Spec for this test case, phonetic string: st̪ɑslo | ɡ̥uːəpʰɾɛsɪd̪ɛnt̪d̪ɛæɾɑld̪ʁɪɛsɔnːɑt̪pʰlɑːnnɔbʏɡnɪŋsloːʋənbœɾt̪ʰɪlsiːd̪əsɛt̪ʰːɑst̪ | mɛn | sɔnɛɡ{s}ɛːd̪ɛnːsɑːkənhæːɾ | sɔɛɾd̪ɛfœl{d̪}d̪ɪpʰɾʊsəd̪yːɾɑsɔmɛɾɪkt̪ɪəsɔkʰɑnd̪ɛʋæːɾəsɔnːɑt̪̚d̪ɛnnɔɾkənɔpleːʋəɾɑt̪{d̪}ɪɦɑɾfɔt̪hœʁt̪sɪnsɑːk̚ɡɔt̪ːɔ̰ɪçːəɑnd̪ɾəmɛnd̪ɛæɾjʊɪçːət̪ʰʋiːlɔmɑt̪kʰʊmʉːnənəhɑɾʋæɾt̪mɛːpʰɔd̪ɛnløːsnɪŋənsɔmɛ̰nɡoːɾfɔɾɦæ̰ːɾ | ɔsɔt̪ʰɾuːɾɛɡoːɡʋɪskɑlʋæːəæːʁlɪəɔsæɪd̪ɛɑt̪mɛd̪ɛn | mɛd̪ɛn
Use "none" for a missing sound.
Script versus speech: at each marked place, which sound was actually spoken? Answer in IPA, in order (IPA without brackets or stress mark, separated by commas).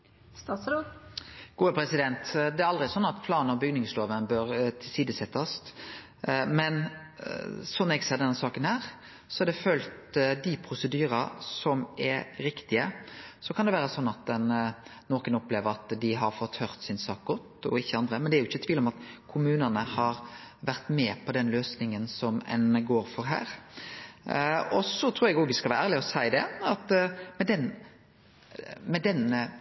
s, t̪, d̪